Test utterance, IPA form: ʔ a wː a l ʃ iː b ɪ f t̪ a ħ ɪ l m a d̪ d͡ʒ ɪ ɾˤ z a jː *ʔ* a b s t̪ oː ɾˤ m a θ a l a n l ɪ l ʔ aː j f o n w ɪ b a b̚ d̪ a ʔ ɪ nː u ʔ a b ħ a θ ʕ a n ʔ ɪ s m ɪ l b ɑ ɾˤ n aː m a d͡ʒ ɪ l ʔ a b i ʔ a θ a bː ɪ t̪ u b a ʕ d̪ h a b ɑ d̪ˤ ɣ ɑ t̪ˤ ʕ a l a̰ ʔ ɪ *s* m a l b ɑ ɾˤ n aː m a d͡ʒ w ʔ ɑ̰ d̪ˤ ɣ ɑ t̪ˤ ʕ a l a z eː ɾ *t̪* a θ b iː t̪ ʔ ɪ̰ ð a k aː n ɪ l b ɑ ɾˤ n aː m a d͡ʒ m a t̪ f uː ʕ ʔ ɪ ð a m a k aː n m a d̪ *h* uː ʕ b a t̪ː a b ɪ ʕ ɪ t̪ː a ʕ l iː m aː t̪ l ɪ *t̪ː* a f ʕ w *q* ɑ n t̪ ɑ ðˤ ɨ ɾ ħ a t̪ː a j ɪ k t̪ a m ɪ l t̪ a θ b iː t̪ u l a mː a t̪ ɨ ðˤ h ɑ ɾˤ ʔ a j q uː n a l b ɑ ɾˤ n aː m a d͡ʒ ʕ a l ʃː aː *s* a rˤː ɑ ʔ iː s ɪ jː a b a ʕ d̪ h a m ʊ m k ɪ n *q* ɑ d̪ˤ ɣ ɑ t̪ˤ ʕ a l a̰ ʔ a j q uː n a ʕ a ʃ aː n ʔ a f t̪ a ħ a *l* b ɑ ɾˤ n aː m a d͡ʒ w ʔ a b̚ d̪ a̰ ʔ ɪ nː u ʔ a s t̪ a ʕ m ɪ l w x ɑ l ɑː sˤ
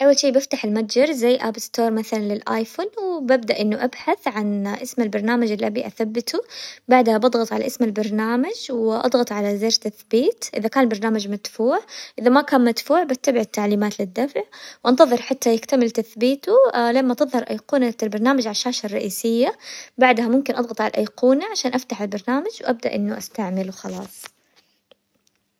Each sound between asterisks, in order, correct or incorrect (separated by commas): correct, correct, correct, incorrect, incorrect, incorrect, incorrect, incorrect, correct